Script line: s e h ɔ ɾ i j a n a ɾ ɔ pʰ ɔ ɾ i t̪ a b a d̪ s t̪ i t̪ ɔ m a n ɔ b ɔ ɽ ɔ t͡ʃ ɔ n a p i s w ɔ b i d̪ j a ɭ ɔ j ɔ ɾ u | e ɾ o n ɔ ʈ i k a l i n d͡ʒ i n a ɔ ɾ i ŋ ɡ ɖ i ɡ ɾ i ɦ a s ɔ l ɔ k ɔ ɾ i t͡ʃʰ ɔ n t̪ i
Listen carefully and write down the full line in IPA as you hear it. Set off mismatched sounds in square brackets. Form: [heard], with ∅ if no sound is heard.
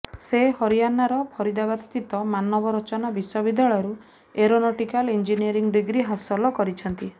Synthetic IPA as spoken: s e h ɔ ɾ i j a n a ɾ ɔ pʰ ɔ ɾ i [d̪] a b a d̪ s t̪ i t̪ ɔ m a n ɔ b ɔ [ɾ] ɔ t͡ʃ ɔ n a [b] i s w ɔ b i d̪ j a ɭ ɔ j ɔ ɾ u | e ɾ o n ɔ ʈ i k a l i n d͡ʒ i n [i] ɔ ɾ i ŋ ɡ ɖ i ɡ ɾ i ɦ a s ɔ l ɔ k ɔ ɾ i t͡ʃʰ ɔ n t̪ i